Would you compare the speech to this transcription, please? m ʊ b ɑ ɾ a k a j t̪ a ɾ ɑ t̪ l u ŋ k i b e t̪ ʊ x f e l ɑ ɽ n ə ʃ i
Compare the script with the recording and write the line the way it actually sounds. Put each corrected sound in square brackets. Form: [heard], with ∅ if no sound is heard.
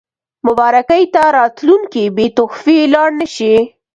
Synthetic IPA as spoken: m ʊ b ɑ ɾ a k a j t̪ a ɾ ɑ t̪ l u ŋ k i b e t̪ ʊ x f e l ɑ ɽ n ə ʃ i